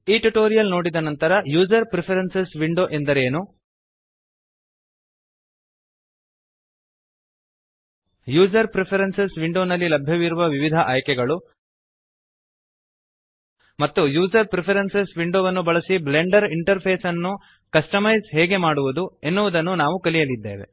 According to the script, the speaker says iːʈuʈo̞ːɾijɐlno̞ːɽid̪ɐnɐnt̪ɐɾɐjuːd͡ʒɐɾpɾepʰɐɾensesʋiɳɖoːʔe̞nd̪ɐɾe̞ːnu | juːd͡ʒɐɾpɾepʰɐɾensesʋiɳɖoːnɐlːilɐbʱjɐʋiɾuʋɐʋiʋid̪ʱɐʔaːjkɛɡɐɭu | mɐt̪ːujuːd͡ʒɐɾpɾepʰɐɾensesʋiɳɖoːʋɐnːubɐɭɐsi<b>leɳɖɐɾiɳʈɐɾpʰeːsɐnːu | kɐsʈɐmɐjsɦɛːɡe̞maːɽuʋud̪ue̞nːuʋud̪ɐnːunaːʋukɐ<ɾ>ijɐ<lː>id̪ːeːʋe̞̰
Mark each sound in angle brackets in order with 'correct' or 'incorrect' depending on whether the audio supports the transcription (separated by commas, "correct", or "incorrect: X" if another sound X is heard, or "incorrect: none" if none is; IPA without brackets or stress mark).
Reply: correct, incorrect: l, incorrect: l